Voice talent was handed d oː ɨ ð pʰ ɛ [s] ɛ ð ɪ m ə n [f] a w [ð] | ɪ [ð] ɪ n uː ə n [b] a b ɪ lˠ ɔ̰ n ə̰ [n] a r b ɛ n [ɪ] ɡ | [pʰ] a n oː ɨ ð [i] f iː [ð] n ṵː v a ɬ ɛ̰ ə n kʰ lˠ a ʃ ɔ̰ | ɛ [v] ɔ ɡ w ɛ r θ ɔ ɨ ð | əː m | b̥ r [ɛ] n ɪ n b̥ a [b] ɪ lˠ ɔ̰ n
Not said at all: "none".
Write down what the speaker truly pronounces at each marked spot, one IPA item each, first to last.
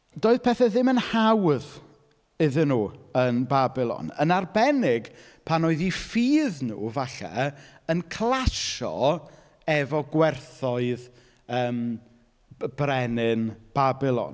θ, h, ð, ð, b, n, ɪ, pʰ, i, ð, v, ɛ, b

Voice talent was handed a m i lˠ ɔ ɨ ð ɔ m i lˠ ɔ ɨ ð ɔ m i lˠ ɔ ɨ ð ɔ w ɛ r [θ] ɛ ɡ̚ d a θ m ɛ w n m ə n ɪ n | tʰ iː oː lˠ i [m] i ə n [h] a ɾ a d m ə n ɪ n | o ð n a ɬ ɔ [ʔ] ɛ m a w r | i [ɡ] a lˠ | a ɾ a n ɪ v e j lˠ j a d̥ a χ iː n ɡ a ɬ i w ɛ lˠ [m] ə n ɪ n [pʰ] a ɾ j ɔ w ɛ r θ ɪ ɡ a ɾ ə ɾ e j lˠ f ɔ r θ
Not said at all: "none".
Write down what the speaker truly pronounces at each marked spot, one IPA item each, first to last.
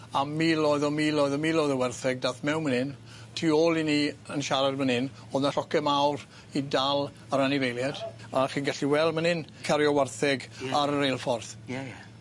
θ, n, ʃ, k, d, m, kʰ

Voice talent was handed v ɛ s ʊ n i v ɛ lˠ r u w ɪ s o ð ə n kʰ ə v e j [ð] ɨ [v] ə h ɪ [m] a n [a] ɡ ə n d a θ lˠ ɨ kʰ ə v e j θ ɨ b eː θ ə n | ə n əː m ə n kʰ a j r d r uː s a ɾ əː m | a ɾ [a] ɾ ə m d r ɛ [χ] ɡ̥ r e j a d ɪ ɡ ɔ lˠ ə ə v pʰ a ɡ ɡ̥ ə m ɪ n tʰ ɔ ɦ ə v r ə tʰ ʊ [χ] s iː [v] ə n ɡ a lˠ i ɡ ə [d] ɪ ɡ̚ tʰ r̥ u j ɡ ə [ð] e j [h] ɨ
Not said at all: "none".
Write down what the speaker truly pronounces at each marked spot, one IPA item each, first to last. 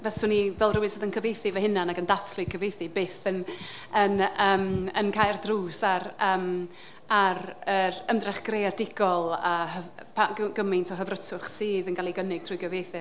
θ, v, n, a, ə, χ, χ, ð, n, v, θ

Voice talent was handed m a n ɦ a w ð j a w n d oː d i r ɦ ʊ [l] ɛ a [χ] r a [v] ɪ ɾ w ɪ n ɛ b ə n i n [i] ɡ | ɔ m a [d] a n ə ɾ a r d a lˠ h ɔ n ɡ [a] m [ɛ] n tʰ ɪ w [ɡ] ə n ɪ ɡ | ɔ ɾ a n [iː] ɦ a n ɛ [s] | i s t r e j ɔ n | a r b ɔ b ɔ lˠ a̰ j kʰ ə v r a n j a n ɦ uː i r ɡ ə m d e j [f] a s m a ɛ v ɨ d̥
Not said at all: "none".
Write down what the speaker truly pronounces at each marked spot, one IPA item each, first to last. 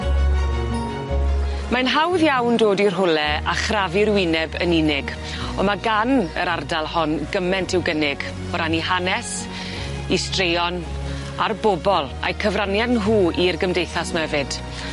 l, χ, v, ɪ, ɡ, ə, ɛ, ɡ, i, s, θ

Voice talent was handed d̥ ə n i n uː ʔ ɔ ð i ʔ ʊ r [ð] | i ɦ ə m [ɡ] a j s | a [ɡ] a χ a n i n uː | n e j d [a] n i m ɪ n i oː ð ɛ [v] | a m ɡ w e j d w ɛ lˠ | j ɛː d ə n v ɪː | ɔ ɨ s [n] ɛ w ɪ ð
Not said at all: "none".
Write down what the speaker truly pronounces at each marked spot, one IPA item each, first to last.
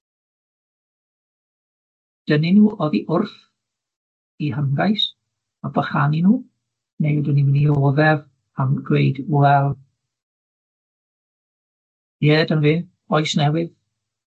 θ, ɡ, b, ə, v, n

